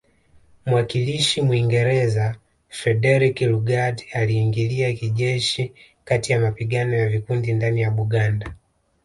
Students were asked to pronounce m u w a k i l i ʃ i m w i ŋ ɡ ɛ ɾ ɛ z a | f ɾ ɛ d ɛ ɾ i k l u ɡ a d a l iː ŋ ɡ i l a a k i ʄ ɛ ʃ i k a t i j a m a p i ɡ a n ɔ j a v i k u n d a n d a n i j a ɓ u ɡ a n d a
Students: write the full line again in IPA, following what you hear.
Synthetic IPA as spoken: m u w a k i l i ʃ i m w i ŋ ɡ ɛ ɾ ɛ z a | f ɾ ɛ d ɛ ɾ i k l u ɡ a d a l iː ŋ ɡ i l i a k i ʄ ɛ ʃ i k a t i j a m a p i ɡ a n ɔ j a v i k u n d i n d a n i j a ɓ u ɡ a n d a

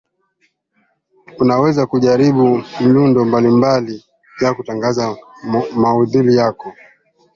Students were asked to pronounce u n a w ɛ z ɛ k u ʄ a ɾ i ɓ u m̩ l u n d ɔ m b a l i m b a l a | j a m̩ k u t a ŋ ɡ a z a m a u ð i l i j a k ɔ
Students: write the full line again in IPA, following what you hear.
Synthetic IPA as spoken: u n a w ɛ z a k u ʄ a ɾ i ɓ u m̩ l u n d ɔ m b a l i m b a l i | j a k u t a ŋ ɡ a z a m a u ð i l i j a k ɔ

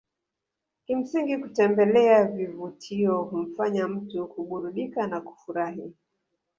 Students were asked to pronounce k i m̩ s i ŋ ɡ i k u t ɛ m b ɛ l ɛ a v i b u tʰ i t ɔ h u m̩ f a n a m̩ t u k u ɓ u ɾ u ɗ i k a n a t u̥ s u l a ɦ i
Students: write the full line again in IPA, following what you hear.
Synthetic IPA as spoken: k i m̩ s i ŋ ɡ i k u t ɛ m b ɛ l ɛ a v i v u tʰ i ɔ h u m̩ f a ɲ a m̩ t u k u ɓ u ɾ u ɗ i k a n a k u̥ f u ɾ a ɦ i

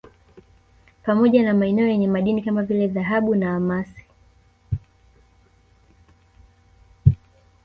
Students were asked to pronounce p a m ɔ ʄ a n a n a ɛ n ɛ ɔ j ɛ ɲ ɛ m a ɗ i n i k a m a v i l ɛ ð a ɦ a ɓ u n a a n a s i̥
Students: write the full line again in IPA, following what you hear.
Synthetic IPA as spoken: p a m ɔ ʄ a n a m a ɛ n ɛ ɔ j ɛ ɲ ɛ m a ɗ i n i k a m a v i l ɛ ð a ɦ a ɓ u n a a m a s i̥

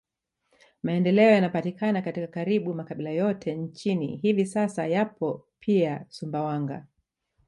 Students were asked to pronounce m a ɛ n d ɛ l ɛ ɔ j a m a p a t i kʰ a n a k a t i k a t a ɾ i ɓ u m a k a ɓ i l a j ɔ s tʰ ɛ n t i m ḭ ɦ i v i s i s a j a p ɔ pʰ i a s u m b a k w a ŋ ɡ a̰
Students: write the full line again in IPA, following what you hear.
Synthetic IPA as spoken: m a ɛ n d ɛ l ɛ ɔ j a n a p a t i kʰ a n a k a t i k a k a ɾ i ɓ u m a k a ɓ i l a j ɔ tʰ ɛ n t͡ʃ i n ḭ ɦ i v i s a s a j a p ɔ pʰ i a s u m b a w a ŋ ɡ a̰

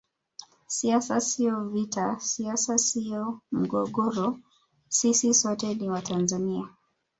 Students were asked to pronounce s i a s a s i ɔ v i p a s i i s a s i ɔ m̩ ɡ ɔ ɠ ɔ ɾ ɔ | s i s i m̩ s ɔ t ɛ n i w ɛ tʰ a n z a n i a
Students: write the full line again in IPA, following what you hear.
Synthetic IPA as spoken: s i a s a s i ɔ v i t a s i a s a s i ɔ m̩ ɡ ɔ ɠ ɔ ɾ ɔ | s i s i s ɔ t ɛ n i w a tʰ a n z a n i a

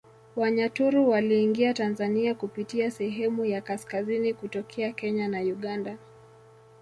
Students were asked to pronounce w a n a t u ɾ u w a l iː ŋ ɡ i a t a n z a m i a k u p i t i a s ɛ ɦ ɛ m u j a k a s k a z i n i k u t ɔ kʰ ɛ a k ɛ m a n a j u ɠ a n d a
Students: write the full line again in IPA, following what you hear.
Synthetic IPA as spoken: w a ɲ a t u ɾ u w a l iː ŋ ɡ i a t a n z a n i a k u p i t i a s ɛ ɦ ɛ m u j a k a s k a z i n i k u t ɔ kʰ ɛ a k ɛ ɲ a n a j u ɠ a n d a

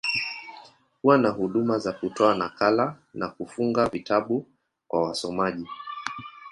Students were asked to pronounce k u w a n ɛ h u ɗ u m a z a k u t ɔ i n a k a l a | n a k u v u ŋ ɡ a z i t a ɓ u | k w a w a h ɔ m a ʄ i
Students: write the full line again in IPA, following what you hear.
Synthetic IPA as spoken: k u w a n a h u ɗ u m a z a k u t ɔ a n a k a l a | n a k u f u ŋ ɡ a v i t a ɓ u | k w a w a s ɔ m a ʄ i

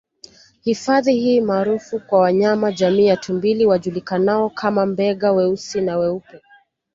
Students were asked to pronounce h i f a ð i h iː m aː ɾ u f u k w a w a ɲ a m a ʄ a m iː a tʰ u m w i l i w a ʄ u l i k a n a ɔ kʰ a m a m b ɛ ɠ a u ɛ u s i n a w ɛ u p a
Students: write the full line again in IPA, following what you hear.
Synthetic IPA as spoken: h i f a ð i h iː m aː ɾ u f u k w a w a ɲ a m a ʄ a m iː a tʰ u m b i l i w a ʄ u l i k a n a ɔ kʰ a m a m b ɛ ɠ a w ɛ u s i n a w ɛ u p ɛ

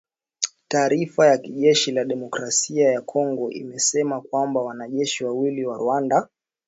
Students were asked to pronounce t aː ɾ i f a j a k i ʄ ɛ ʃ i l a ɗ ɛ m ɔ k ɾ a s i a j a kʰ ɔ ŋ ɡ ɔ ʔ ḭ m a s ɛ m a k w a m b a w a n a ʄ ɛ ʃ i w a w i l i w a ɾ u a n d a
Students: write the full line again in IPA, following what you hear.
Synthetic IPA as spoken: t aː ɾ i f a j a k i ʄ ɛ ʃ i l a ɗ ɛ m ɔ k ɾ a s i a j a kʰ ɔ ŋ ɡ ɔ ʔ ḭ m ɛ s ɛ m a k w a m b a w a n a ʄ ɛ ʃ i w a w i l i w a ɾ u a n d a

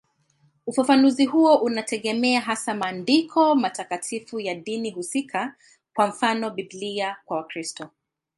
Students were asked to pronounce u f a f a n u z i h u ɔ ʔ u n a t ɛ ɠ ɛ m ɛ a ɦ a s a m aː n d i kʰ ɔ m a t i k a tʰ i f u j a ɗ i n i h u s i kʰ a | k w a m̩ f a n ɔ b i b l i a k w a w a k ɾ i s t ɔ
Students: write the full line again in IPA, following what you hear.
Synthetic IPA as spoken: u f a f a n u z i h u ɔ ʔ u n a t ɛ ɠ ɛ m ɛ a ɦ a s a m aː n d i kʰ ɔ m a t a k a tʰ i f u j a ɗ i n i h u s i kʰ a | k w a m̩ f a n ɔ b i b l i a k w a w a k ɾ i s t ɔ

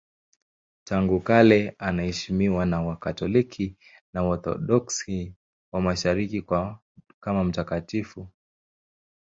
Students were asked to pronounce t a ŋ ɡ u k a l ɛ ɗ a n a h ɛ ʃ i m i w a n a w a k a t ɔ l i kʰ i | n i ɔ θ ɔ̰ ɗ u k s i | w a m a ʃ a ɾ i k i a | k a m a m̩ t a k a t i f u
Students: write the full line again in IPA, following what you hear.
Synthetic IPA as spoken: t a ŋ ɡ u k a l ɛ a n a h ɛ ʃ i m i w a n a w a k a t ɔ l i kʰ i | n a ɔ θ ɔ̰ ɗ ɔ k s i | w a m a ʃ a ɾ i k i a | k a m a m̩ t a k a t i f u

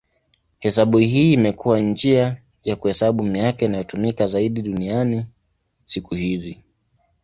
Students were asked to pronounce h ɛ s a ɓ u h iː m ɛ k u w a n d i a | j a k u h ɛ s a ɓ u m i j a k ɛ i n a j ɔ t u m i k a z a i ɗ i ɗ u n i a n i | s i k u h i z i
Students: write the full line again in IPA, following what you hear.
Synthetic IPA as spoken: h ɛ s a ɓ u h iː m ɛ k u w a n d͡ʒ i a | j a k u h ɛ s a ɓ u m i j a k ɛ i n a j ɔ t u m i k a z a i ɗ i ɗ u n i a n i | s i k u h i z i

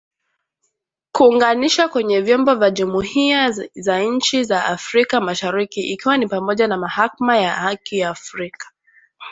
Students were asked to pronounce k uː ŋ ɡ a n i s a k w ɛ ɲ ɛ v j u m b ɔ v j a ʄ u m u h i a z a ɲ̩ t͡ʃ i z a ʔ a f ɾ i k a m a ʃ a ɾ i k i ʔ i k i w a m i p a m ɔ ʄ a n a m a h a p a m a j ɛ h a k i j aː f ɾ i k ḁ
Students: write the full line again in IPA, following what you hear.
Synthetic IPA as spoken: k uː ŋ ɡ a n i ʃ a k w ɛ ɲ ɛ v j ɔ m b ɔ v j a ʄ u m u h i a z a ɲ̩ t͡ʃ i z a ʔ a f ɾ i k a m a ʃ a ɾ i k i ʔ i k i w a n i p a m ɔ ʄ a n a m a h a k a m a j a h a k i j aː f ɾ i k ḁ

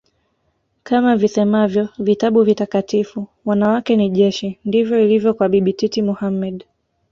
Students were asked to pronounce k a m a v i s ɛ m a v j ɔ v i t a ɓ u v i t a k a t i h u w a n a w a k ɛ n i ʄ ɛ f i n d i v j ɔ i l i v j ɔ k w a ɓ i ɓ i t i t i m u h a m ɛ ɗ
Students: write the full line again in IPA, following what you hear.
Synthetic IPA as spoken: k a m a v i s ɛ m a v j ɔ v i t a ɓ u v i t a k a t i f u w a n a w a k ɛ n i ʄ ɛ ʃ i n d i v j ɔ i l i v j ɔ k w a ɓ i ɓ i t i t i m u h a m ɛ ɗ

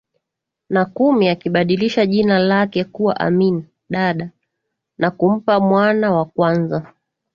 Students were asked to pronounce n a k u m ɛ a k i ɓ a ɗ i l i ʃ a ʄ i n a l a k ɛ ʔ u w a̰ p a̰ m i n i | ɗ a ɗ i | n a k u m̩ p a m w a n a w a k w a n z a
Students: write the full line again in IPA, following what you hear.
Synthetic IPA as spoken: n a k u m i a k i ɓ a ɗ i l i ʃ a ʄ i n a l a k ɛ k u w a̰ ʔ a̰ m i n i | ɗ a ɗ a | n a k u m̩ p a m w a n a w a k w a n z a

